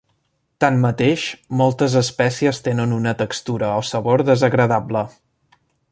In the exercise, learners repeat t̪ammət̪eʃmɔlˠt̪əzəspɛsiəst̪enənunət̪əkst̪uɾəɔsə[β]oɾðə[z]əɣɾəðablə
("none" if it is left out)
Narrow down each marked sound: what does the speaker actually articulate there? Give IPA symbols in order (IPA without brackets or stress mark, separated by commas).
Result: β, z